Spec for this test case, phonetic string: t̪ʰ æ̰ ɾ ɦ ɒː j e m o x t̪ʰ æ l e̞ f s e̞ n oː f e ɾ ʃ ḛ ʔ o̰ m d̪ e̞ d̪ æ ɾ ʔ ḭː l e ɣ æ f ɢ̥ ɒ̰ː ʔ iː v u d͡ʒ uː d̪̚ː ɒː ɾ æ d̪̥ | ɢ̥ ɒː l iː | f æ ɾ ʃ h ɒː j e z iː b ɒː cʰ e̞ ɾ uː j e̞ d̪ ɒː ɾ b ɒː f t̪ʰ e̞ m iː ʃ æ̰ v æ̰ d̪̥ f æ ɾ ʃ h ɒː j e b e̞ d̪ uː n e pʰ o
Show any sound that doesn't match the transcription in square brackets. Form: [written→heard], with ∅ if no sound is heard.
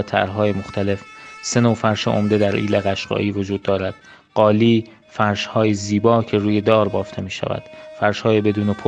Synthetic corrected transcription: t̪ʰ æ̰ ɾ ɦ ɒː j e m o x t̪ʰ æ l e̞ f s e̞ n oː f [e→æ] ɾ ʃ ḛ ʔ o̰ m d̪ e̞ d̪ æ ɾ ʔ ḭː l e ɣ æ [f→ʃ] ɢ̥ ɒ̰ː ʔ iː v [u→o] d͡ʒ uː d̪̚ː ɒː ɾ æ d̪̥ | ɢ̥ ɒː l iː | f æ ɾ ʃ h ɒː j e z iː b ɒː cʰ e̞ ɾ uː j e̞ d̪ ɒː ɾ b ɒː f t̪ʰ e̞ m iː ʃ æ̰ v æ̰ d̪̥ f æ ɾ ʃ h ɒː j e b e̞ d̪ uː n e pʰ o